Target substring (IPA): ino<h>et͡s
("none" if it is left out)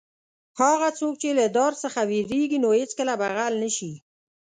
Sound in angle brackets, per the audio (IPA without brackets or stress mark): h